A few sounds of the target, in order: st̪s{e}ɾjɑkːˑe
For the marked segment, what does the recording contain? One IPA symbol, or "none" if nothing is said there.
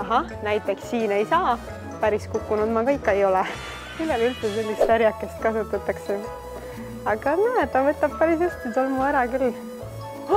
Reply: æ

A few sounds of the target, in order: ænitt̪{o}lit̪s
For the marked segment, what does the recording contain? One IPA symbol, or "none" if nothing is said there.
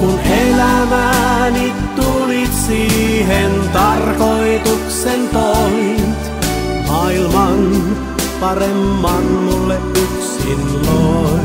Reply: u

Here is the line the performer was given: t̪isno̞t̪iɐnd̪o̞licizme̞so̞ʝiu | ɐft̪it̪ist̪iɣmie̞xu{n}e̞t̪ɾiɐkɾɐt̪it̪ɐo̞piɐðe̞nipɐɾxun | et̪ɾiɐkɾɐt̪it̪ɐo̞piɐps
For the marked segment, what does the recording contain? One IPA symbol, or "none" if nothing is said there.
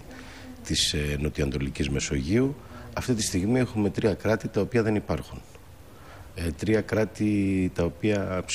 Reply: m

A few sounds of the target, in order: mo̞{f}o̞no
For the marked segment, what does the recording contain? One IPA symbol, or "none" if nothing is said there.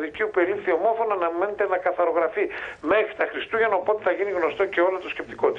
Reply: f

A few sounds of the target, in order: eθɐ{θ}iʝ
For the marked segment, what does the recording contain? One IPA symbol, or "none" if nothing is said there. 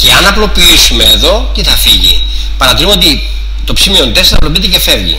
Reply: f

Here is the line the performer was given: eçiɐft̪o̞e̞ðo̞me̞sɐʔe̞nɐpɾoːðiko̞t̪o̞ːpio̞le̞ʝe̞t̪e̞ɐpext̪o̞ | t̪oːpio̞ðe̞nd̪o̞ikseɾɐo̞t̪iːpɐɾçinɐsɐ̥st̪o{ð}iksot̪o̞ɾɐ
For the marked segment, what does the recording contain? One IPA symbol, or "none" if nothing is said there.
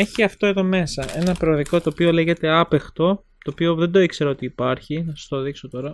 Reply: ð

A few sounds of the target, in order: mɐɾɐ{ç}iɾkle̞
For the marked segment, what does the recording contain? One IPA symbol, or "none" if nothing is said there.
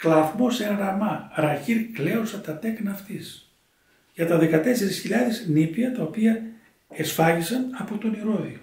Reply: ç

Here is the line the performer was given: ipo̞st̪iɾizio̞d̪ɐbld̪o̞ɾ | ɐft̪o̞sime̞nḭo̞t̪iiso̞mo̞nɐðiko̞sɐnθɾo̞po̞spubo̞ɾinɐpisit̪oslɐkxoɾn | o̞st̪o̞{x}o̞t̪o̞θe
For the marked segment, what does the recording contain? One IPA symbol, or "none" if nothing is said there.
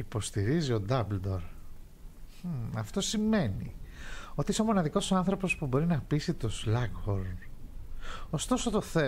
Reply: s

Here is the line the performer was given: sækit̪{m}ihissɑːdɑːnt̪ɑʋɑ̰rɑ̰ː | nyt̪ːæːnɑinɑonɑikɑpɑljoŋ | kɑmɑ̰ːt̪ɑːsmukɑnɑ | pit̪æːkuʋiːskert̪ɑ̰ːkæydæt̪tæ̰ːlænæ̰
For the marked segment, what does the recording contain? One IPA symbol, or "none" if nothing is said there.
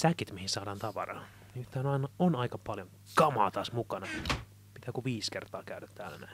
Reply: m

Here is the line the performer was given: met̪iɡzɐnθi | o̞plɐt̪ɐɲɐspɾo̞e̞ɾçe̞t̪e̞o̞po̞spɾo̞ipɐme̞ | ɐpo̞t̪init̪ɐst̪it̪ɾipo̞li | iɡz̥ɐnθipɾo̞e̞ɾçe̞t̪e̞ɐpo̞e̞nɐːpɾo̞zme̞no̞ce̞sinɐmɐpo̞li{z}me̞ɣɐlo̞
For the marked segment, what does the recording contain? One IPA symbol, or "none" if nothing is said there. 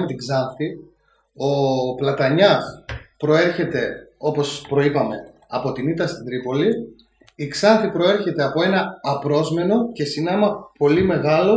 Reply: none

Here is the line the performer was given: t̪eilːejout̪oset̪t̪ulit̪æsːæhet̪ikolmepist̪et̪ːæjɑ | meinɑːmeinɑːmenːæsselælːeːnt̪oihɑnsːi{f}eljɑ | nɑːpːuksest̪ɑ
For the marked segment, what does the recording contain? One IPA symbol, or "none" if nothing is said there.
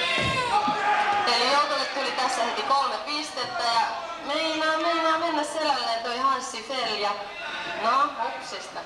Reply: f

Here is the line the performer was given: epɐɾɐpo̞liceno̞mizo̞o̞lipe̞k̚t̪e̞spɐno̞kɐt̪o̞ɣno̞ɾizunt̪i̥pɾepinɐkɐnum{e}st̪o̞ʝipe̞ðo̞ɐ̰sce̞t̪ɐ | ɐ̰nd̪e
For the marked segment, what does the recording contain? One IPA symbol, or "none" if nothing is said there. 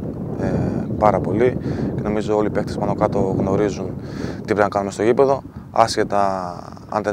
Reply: e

